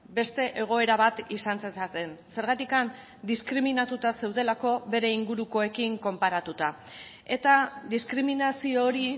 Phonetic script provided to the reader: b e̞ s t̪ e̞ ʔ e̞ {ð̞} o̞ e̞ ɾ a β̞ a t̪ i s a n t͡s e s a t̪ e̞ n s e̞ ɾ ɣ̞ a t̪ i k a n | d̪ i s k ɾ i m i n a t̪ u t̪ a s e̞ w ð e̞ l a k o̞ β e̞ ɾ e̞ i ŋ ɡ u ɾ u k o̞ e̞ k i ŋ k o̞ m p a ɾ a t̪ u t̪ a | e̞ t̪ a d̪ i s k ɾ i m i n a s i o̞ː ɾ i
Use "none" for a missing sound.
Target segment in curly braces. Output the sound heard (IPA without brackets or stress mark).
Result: ɣ̞